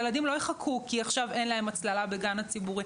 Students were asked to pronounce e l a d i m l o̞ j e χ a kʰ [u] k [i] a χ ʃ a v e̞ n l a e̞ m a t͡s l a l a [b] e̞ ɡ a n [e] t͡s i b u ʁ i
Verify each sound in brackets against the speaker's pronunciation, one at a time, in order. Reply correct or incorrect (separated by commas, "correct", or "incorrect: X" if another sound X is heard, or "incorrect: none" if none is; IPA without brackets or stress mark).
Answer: correct, correct, correct, incorrect: a